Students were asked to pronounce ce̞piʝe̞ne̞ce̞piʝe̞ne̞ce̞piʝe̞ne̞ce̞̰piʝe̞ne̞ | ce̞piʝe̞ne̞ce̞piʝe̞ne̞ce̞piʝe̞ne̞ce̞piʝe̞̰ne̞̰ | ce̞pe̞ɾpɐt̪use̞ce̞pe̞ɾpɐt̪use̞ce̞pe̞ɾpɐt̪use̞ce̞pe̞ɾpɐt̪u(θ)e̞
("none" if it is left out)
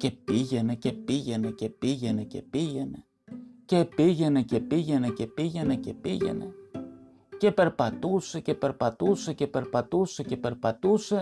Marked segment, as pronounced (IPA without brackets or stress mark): s